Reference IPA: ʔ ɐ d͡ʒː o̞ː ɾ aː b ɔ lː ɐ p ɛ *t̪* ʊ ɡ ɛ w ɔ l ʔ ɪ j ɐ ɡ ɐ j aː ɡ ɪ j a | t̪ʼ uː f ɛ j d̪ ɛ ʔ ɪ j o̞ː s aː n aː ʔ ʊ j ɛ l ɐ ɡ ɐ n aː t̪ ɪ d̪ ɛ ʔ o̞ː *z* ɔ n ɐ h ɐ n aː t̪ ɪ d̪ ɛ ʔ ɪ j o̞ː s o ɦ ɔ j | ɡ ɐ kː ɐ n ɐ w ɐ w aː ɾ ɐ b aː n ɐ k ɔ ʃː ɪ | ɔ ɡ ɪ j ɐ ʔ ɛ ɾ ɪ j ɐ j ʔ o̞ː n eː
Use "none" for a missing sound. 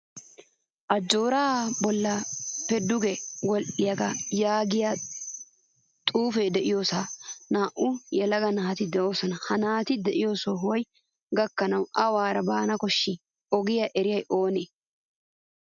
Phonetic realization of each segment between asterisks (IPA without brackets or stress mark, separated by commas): d̪, s